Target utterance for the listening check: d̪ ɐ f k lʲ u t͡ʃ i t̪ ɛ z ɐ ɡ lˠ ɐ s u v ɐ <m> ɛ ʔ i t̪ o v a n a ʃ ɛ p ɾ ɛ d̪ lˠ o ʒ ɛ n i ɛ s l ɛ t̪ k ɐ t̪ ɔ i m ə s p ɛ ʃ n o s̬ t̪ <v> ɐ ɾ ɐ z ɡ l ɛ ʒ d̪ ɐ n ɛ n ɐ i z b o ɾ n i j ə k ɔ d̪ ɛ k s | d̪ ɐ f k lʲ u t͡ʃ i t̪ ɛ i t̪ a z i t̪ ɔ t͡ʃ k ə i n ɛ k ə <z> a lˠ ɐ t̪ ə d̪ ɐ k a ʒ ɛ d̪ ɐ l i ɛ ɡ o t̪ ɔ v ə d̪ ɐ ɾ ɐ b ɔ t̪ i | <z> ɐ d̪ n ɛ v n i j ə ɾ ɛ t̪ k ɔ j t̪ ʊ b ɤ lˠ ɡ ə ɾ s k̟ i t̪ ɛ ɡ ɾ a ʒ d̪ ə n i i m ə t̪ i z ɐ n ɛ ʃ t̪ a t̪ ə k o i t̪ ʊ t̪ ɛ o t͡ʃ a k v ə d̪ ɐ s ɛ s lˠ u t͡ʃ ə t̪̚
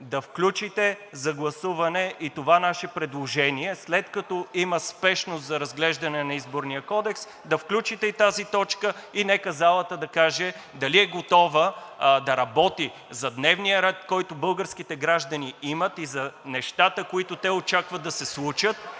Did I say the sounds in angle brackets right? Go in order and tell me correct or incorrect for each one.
incorrect, incorrect, correct, correct

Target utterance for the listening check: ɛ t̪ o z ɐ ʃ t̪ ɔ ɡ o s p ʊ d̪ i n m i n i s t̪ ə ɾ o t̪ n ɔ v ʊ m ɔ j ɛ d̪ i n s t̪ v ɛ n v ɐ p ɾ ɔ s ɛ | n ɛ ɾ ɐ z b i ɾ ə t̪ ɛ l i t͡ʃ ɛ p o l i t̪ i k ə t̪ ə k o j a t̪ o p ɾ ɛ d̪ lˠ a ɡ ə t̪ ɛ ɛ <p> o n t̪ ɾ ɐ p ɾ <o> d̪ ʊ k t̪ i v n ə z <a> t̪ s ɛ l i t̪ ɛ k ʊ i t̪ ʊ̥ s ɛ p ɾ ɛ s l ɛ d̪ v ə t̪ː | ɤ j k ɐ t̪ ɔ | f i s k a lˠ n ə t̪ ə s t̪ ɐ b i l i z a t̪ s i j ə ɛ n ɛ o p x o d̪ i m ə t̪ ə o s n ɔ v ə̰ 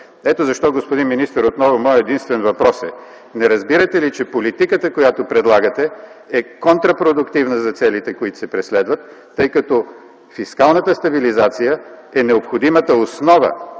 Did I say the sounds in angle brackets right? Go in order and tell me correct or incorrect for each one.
incorrect, correct, incorrect

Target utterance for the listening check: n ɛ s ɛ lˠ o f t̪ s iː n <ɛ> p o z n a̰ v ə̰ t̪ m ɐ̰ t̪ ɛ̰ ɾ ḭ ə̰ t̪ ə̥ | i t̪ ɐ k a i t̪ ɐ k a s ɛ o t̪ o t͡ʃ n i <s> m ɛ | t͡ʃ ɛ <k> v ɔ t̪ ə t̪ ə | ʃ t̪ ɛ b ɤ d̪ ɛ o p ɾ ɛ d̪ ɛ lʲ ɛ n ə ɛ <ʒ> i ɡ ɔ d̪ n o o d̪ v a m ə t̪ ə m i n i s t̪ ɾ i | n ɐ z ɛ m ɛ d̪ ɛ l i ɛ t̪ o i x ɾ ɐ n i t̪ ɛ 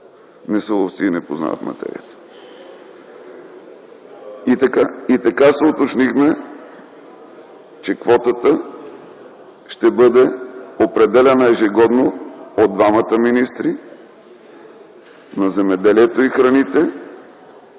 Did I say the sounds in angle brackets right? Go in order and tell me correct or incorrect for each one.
correct, incorrect, correct, correct

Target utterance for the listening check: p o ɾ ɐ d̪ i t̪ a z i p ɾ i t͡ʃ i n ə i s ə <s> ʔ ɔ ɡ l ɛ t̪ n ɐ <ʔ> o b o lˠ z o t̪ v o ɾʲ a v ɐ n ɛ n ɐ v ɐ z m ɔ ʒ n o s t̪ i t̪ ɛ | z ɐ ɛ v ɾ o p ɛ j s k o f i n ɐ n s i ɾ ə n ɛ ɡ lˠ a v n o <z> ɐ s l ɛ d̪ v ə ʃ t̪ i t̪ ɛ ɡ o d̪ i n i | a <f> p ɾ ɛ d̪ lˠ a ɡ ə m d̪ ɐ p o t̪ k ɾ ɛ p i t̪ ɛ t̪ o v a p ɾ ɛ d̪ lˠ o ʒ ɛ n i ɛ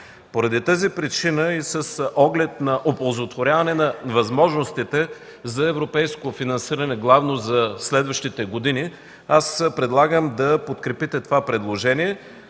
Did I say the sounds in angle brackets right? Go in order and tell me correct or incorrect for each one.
correct, correct, correct, incorrect

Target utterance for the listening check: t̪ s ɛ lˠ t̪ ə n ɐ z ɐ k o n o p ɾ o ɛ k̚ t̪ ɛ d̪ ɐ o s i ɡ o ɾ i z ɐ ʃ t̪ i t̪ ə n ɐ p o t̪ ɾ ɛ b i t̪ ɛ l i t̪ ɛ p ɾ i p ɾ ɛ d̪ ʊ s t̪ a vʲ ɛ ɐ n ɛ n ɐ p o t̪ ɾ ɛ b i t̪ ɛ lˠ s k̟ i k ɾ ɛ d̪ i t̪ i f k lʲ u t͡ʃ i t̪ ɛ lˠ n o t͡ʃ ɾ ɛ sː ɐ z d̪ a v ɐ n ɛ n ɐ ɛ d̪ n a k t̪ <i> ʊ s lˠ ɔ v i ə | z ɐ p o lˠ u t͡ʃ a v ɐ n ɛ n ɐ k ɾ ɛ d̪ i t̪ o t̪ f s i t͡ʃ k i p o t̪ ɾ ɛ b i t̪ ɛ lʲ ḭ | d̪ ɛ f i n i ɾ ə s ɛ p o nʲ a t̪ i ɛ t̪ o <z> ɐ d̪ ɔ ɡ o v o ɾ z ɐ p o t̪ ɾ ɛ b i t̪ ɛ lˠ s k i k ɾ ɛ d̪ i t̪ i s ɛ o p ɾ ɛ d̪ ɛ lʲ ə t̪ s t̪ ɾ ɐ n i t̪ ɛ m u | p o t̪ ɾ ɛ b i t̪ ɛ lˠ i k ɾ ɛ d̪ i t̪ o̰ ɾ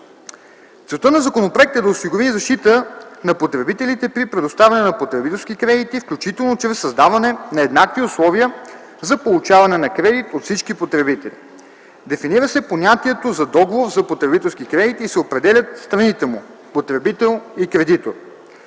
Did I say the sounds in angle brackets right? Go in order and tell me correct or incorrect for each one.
correct, correct

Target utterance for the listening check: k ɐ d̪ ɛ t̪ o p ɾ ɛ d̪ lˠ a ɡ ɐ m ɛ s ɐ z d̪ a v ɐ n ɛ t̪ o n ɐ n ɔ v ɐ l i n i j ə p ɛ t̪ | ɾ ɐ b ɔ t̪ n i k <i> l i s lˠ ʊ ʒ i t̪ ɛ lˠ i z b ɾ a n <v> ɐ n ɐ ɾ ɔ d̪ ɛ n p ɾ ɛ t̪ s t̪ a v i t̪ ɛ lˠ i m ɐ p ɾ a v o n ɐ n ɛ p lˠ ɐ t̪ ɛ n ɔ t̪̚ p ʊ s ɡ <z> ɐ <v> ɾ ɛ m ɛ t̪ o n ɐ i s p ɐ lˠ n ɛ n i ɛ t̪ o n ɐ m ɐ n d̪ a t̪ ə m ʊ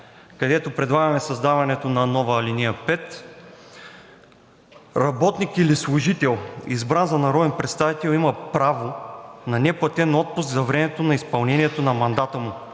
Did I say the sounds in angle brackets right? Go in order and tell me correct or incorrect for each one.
correct, incorrect, correct, correct

